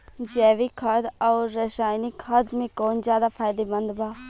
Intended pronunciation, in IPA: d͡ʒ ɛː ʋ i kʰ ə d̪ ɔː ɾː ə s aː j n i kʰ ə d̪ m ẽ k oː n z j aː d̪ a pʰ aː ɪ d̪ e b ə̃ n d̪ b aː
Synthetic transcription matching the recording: d͡ʒ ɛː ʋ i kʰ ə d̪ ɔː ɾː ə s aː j n i kʰ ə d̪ m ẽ k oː n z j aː d̪ a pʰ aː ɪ d̪ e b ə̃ n d̪ b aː

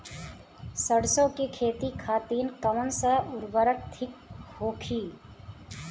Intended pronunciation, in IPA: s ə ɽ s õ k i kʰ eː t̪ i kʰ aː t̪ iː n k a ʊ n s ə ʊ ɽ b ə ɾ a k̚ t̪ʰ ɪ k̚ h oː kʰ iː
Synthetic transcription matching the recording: s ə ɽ s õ k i kʰ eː t̪ i kʰ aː t̪ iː n k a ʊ n s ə ʊ ɾ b ə ɾ ə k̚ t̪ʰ ɪ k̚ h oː kʰ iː

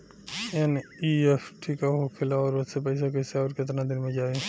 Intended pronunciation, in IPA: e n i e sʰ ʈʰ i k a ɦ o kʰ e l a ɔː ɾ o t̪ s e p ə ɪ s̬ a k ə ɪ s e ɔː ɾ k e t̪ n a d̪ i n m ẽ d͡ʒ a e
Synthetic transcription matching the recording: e n i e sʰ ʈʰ i k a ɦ o kʰ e l a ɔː ɾ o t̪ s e p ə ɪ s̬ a k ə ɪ s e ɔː ɾ k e t̪ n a d̪ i n m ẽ d͡ʒ a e

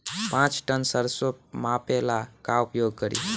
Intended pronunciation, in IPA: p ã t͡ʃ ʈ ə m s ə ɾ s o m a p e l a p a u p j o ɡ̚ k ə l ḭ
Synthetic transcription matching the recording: p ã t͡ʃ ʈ ə n s ə ɾ s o m a p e l a k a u p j o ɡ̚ k ə ɾ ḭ

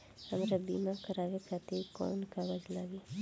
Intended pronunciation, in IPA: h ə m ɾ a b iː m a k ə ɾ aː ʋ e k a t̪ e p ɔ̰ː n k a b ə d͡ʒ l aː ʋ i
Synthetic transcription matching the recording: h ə m ɾ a b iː m a k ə ɾ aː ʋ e k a t̪ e k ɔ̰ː n k a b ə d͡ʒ l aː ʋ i

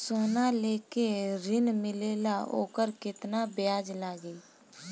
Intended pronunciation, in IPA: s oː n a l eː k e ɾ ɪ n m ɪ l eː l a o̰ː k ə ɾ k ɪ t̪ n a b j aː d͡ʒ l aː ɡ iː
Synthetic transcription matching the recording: s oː n a l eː k e ɾ ɪ n m ɪ l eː l a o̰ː k ə ɾ k ɪ t̪ n a b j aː d͡ʒ l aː ɡ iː

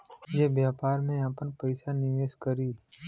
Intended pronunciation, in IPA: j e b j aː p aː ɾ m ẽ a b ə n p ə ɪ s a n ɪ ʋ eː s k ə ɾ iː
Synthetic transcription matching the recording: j e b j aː p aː ɾ m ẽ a p ə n p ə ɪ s a n ɪ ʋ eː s k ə ɾ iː

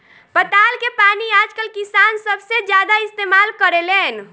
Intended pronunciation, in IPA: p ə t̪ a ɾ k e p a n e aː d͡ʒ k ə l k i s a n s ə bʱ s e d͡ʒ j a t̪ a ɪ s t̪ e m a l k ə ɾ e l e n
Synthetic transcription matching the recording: p ə t̪ a l k e p a n i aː d͡ʒ k ə l k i s a n s ə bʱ s e d͡ʒ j a d̪ a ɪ s t̪ e m a l k ə ɾ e l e n

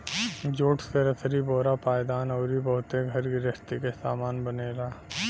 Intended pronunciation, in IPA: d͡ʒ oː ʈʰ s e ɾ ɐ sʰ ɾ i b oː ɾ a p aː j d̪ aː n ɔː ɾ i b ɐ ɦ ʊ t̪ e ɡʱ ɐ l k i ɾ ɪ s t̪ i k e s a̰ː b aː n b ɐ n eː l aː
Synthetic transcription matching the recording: d͡ʒ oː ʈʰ s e ɾ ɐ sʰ ɾ i b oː ɾ a p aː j d̪ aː n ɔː ɾ i b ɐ ɦ ʊ t̪ e ɡʱ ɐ ɾ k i ɾ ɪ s t̪ i k e s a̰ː m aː n b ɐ n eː l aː

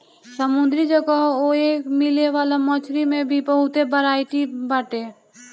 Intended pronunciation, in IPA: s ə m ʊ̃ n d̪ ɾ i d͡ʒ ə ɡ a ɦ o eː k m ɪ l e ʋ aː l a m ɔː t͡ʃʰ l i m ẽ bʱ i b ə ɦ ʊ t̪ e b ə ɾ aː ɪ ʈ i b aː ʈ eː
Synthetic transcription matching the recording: s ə m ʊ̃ n d̪ ɾ i d͡ʒ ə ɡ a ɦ o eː k m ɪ l e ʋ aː l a m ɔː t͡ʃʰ ɾ i m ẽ bʱ i b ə ɦ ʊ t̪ e b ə ɾ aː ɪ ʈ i b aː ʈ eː

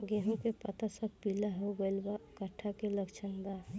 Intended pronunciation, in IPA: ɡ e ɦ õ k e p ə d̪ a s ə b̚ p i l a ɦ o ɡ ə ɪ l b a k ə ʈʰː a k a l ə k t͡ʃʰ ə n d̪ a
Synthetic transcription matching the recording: ɡ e ɦ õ k e p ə t̪ a s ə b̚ p i l a ɦ o ɡ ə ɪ l b a k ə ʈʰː a k e l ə k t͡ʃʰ ə n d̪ a

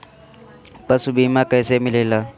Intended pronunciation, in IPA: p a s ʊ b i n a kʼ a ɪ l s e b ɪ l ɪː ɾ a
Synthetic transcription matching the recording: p a s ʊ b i m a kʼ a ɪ s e m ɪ l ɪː l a

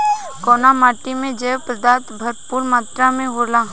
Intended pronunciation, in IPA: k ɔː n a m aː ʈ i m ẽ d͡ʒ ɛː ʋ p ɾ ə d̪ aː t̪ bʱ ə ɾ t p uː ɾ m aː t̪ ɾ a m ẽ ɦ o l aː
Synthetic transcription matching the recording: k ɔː n a m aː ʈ i m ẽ d͡ʒ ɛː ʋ p ɾ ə d̪ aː t̪ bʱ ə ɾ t p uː ɾ m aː t̪ ɾ a m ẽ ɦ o l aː

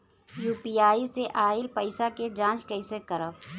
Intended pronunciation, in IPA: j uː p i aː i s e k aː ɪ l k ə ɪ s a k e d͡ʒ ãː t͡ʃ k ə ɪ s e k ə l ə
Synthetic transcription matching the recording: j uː p i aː i s e ʔ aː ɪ l p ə ɪ s a k e d͡ʒ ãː t͡ʃ k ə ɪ s e k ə ɾ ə

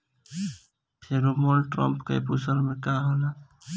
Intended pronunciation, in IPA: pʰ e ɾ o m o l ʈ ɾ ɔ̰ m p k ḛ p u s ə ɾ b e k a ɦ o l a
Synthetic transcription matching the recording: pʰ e ɾ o m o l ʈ ɾ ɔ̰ m p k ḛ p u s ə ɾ m e k a ɦ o l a

